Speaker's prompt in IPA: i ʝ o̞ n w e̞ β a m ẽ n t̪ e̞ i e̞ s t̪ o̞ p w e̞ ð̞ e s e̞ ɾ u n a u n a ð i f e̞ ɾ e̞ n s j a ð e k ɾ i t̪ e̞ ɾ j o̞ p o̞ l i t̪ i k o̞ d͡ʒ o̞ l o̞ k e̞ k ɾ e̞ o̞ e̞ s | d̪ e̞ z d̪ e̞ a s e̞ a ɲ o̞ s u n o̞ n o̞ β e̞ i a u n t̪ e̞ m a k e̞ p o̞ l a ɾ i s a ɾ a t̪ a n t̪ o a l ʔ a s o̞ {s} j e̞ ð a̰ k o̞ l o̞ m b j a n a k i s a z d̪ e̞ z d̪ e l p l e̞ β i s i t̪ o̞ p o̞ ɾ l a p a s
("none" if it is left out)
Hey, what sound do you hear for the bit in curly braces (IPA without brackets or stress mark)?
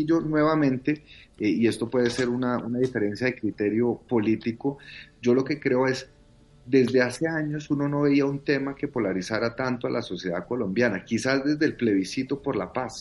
s